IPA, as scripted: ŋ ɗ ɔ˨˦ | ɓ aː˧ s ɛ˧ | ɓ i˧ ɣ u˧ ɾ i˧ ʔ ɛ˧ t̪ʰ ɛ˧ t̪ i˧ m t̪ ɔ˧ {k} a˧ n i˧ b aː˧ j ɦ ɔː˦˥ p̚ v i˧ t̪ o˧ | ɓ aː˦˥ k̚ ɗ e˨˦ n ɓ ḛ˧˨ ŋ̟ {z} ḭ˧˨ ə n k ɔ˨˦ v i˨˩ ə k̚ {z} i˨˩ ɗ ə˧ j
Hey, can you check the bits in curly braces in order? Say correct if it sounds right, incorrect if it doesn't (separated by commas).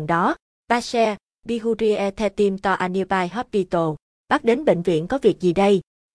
incorrect, incorrect, correct